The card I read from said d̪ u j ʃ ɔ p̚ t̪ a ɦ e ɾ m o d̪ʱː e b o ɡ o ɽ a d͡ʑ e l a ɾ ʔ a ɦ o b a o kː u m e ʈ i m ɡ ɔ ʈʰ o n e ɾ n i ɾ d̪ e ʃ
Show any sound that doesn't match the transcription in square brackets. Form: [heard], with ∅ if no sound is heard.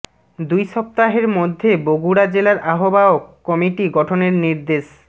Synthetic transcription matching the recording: d̪ u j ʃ ɔ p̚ t̪ a ɦ e ɾ m o d̪ʱː e b o ɡ [u] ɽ a d͡ʑ e l a ɾ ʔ a ɦ o b a o kː [ɔ] m [i] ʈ i [∅] ɡ ɔ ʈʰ o n e ɾ n i ɾ d̪ e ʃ